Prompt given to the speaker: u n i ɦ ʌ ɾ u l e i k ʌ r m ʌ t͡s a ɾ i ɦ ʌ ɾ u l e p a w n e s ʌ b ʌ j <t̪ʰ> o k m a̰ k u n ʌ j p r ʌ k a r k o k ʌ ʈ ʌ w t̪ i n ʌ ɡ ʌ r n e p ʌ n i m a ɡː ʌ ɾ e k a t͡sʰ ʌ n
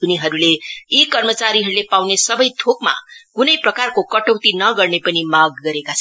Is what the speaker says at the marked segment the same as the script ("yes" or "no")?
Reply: yes